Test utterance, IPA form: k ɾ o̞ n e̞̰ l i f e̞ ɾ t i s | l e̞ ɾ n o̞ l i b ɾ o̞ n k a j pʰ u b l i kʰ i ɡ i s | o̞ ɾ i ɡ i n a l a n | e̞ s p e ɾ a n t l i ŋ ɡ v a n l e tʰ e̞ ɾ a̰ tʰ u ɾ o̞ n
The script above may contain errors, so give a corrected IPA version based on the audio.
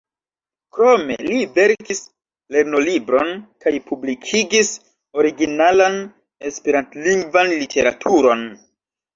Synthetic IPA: k ɾ o̞ m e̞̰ l i v e̞ ɾ k i s | l e̞ ɾ n o̞ l i b ɾ o̞ n k a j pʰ u b l i kʰ i ɡ i s | o̞ ɾ i ɡ i n a l a n | e̞ s p e ɾ a n t l i ŋ ɡ v a n l i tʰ e̞ ɾ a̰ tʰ u ɾ o̞ n